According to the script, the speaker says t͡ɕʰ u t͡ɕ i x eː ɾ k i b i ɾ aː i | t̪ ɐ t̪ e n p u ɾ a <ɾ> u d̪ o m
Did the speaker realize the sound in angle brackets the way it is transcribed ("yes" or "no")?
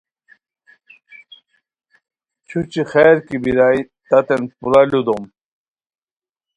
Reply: no